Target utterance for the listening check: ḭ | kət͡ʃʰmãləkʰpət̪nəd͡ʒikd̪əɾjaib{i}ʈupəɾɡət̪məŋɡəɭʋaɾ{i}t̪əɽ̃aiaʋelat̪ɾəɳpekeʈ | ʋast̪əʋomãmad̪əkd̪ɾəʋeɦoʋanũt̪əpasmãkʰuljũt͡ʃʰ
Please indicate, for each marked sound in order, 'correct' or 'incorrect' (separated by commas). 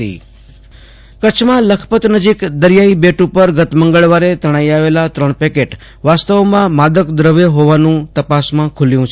incorrect, incorrect